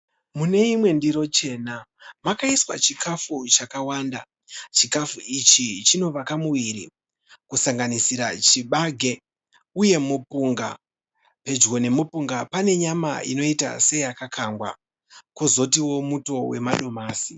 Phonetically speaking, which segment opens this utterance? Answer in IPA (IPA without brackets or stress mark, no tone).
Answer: m